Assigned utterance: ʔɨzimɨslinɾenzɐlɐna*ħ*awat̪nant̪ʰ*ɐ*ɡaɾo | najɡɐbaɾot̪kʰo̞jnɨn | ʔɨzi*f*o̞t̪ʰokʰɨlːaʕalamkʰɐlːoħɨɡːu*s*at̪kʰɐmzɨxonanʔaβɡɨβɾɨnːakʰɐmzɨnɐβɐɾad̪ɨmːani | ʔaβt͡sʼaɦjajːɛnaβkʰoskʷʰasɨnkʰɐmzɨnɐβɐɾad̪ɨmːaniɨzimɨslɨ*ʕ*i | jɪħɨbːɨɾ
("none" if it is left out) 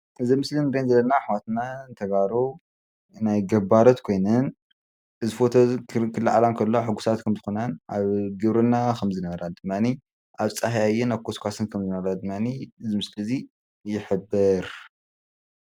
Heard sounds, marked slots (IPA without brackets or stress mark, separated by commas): ħ, ɐ, f, s, z